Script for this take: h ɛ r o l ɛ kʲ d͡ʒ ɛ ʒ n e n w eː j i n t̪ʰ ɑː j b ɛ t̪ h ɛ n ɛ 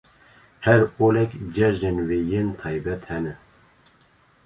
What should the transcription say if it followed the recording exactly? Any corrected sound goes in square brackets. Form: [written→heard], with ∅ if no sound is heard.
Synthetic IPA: h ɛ [r→ɾ] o l ɛ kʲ d͡ʒ ɛ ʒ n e n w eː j [i→e] n t̪ʰ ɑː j b ɛ t̪ h ɛ n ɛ